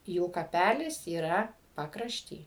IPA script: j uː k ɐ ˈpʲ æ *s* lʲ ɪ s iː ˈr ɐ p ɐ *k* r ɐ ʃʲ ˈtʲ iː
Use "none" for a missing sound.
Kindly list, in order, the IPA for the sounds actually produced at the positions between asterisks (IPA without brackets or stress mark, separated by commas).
none, k